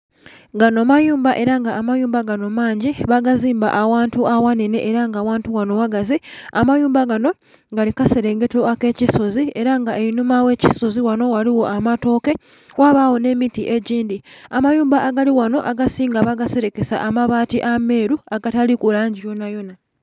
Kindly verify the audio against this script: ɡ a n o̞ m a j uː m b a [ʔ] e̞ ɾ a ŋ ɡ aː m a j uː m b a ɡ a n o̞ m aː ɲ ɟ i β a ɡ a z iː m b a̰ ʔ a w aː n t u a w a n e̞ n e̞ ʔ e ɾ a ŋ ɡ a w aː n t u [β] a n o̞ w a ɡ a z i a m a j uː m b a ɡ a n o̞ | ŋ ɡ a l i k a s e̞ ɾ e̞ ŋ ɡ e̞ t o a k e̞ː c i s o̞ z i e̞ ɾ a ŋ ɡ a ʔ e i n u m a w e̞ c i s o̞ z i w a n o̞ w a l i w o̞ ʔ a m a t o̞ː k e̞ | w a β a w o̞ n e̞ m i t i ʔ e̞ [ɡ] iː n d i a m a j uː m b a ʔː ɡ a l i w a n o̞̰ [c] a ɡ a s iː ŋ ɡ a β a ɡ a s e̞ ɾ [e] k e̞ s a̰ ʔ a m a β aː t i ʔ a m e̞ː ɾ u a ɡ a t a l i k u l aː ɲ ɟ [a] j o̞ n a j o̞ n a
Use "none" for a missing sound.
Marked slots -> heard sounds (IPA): ʔ, w, ɟ, ʔ, e, i

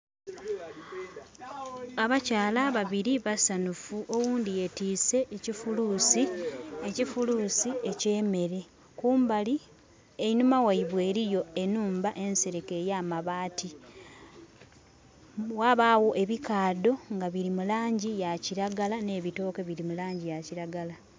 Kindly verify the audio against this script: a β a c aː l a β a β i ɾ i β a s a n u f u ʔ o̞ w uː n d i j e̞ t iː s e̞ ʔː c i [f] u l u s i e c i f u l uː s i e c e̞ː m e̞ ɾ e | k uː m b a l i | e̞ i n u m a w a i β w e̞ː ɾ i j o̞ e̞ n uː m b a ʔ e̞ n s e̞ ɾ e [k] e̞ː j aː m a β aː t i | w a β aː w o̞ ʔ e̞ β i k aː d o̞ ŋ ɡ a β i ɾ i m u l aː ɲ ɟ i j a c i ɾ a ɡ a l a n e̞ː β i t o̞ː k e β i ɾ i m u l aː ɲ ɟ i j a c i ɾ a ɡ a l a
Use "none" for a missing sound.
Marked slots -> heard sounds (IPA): f, k

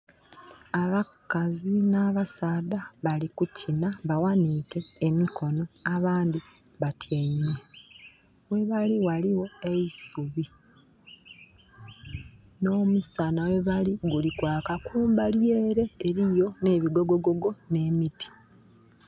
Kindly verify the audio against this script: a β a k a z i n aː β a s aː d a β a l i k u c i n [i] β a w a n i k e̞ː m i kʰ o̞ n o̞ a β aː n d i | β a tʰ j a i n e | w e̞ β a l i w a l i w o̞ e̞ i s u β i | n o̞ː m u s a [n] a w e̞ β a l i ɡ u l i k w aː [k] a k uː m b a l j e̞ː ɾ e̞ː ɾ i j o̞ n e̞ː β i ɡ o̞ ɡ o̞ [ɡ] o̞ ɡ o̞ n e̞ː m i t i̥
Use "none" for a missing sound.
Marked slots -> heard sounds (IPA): a, n, k, ɡ

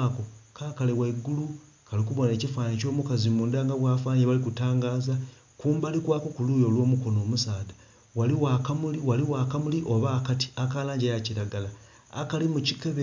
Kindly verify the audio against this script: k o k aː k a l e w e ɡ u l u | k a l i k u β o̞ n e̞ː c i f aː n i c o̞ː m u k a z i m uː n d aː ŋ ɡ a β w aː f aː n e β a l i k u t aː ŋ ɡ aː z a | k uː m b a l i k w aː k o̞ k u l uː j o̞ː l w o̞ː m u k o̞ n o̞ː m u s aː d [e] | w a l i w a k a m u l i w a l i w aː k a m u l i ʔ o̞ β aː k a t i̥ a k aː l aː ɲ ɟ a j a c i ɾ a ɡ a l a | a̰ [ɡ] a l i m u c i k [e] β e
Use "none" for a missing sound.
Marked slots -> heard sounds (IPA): a, k, e

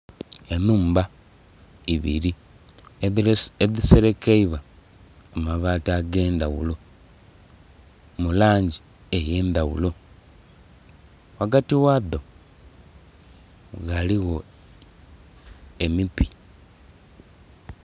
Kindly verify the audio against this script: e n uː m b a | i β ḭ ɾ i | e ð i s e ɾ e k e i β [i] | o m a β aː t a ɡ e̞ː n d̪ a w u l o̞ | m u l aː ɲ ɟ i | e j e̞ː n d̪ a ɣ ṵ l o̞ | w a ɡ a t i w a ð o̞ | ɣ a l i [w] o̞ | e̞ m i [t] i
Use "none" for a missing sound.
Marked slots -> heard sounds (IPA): a, ɣ, p

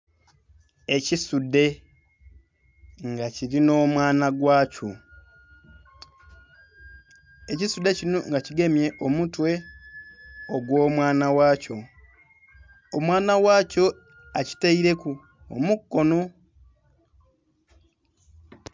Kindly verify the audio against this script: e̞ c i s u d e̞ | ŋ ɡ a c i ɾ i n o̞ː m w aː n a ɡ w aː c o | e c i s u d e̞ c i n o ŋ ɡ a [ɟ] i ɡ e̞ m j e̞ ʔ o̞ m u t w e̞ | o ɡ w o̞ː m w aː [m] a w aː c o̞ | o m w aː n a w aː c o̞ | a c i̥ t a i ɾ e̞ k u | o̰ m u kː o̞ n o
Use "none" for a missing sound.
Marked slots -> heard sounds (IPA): c, n

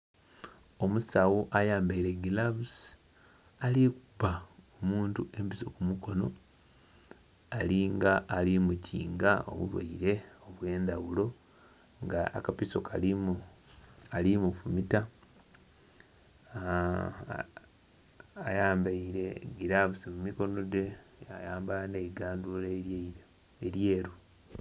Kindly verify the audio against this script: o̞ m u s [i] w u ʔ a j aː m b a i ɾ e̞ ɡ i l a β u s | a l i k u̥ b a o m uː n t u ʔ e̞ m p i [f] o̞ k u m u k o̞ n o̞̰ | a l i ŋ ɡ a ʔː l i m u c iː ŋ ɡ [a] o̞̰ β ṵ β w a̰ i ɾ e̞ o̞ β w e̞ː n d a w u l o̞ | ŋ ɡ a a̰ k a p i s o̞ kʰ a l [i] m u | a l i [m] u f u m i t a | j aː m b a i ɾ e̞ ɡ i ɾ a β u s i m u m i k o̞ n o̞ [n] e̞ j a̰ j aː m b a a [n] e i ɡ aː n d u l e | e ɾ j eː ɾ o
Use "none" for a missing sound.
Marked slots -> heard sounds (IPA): a, s, a, i, m, d, n

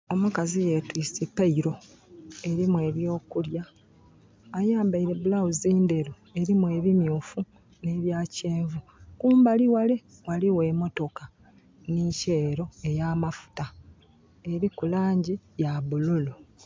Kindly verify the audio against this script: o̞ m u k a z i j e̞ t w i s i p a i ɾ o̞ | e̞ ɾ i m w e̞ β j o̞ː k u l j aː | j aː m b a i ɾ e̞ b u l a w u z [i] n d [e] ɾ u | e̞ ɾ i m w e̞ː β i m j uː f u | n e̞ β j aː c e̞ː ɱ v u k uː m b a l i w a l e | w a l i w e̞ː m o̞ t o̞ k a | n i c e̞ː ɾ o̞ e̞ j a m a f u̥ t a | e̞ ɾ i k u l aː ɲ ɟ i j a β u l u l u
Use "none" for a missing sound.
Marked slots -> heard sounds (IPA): iː, e

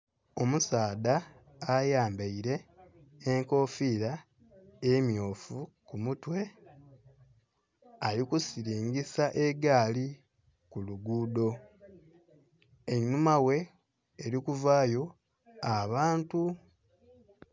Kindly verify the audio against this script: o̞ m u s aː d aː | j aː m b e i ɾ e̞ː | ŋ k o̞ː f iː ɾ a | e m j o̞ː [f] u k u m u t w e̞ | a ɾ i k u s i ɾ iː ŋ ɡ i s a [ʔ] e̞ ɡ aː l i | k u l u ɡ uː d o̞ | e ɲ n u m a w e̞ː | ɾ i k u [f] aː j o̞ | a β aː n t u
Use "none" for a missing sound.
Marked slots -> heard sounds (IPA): f, ʔ, v

